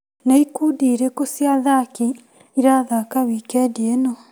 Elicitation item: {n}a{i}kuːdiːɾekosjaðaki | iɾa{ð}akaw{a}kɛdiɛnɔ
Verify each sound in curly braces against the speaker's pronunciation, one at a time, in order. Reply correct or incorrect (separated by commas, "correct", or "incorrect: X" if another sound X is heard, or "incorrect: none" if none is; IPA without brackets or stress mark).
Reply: correct, correct, correct, incorrect: i